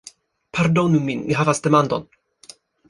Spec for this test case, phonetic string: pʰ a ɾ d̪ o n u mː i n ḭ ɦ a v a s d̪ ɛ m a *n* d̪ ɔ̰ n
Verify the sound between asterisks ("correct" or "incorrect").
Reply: correct